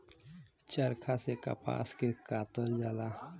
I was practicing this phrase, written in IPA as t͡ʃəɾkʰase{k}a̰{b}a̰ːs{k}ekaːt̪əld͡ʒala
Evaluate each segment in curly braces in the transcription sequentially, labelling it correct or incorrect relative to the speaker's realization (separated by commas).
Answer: correct, incorrect, correct